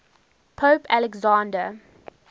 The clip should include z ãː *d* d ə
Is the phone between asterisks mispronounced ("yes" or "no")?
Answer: yes